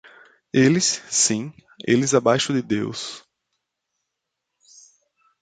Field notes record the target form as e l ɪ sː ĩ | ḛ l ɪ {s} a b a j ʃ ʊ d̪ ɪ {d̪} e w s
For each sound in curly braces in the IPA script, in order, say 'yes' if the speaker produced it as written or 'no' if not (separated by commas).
no, yes